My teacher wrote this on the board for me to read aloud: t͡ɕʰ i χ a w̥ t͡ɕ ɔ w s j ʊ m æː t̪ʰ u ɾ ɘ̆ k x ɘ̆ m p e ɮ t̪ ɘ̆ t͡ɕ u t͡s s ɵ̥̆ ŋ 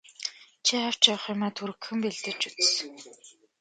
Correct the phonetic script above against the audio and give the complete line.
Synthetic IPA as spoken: t͡ɕʰ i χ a w̥ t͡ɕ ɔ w χ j ʊ m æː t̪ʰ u ɾ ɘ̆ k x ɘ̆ m p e ɮ t̪ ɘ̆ t͡ɕ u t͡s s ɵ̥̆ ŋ

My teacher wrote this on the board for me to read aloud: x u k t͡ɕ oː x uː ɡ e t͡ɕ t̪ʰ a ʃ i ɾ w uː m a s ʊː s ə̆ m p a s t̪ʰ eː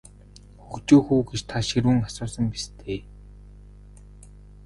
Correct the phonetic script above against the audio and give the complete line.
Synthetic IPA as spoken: x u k t͡ɕ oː x uː ɡ e t͡ɕ t̪ʰ a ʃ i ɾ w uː ŋ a s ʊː s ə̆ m p i s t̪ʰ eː

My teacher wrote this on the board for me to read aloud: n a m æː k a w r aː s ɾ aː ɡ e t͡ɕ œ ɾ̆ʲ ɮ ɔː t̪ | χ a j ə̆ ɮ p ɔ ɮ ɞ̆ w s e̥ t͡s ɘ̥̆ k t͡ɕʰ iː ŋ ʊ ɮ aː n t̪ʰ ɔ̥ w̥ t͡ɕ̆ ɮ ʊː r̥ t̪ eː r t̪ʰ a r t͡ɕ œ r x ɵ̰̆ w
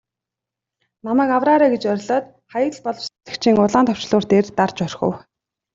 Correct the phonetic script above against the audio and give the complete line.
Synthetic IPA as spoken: n a m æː k a w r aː ɾ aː ɡ e t͡ɕ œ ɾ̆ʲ ɮ ɔː t̪ | χ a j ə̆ ɮ p ɔ ɮ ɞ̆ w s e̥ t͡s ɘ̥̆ k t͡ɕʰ iː ŋ ʊ ɮ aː n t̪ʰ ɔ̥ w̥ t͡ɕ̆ ɮ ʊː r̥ t̪ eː r t̪ a r t͡ɕ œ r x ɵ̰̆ w

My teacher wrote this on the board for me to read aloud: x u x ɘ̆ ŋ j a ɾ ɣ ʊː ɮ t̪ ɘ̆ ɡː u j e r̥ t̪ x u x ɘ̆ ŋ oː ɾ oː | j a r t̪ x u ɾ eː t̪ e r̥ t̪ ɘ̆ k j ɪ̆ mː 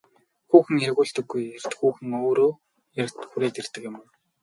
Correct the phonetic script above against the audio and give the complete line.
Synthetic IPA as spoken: x uː x ɘ̆ ŋ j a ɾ ɣ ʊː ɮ t̪ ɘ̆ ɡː u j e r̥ t̪ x uː x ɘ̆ ŋ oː ɾ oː | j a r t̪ x u ɾ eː t̪ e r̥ t̪ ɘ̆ k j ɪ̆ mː

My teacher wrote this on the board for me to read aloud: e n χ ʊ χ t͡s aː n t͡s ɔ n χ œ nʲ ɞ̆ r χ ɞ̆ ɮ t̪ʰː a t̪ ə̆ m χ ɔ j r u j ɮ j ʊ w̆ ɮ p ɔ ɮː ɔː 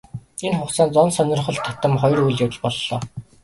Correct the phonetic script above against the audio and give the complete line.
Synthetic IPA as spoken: e n χ ʊ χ t͡s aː n t͡s ɔ n s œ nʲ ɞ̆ r χ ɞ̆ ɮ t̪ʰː a t̪ ə̆ m χ ɔ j r u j ɮ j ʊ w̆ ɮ p ɔ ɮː ɔː

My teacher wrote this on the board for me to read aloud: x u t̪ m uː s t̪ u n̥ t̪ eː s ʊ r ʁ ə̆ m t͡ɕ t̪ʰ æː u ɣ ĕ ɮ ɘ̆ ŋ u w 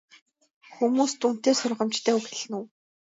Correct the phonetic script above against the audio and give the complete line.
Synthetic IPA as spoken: x u m uː s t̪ u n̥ t̪ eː s ʊ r ʁ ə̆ m t͡ɕ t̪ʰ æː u x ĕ ɮ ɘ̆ n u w

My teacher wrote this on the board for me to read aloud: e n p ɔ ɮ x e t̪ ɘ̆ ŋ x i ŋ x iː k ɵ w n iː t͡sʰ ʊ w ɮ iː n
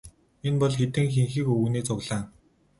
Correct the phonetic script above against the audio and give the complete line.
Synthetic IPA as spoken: e n p ɔ ɮ x e t̪ ɘ̆ ŋ x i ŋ x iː k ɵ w n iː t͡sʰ ʊ ɣ ɮ aː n

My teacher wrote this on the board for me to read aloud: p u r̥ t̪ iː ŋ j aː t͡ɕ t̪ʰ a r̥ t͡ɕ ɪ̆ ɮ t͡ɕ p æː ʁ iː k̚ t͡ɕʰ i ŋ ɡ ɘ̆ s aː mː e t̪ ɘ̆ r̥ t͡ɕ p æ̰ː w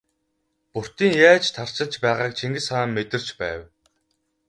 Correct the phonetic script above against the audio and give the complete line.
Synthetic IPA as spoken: p u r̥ t̪ iː ŋ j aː t͡ɕ t̪ʰ a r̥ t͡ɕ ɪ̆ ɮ t͡ɕ p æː ʁ aː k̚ t͡ɕʰ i ŋ ɡ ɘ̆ s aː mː e t̪ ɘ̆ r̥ t͡ɕ p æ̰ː w

